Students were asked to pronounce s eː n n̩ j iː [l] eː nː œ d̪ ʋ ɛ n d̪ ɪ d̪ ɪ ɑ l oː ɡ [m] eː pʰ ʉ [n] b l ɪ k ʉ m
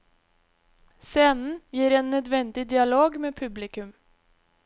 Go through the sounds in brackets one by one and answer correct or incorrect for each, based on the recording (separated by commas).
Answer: incorrect, correct, incorrect